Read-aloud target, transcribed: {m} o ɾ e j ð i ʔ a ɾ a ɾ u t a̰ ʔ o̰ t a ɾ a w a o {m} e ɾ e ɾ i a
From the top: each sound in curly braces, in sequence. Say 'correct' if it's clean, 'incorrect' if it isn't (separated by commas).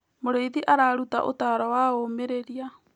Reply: correct, correct